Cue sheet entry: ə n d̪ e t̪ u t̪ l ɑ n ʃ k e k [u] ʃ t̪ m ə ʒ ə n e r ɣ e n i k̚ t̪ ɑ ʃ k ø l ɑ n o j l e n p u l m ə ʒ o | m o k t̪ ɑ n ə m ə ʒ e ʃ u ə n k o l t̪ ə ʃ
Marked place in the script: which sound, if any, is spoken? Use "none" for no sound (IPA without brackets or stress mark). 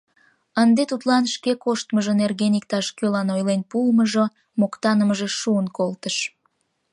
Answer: o